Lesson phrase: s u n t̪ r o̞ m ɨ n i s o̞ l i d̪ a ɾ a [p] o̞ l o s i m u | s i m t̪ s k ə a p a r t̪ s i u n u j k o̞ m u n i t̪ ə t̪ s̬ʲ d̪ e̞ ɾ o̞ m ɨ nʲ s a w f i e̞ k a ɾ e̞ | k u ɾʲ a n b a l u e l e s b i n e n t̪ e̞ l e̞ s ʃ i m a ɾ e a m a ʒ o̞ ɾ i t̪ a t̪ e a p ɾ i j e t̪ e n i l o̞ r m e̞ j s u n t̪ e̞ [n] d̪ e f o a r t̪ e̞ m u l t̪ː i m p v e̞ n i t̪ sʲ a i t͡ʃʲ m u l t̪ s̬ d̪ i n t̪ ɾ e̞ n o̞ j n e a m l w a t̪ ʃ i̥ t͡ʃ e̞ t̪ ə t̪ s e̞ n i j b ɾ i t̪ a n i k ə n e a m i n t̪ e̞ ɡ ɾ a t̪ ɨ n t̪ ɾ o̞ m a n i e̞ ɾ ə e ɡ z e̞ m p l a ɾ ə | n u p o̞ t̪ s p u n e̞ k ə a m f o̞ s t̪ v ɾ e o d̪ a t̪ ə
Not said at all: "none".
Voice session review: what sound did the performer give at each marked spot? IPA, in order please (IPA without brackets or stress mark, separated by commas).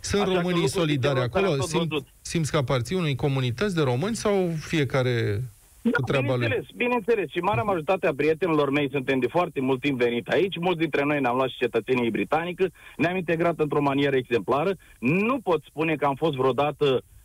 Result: k, m